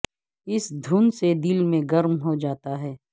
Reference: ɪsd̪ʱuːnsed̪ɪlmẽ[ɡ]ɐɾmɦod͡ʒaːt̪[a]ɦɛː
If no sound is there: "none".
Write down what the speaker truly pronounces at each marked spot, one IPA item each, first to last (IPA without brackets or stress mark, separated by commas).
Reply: ɡ, a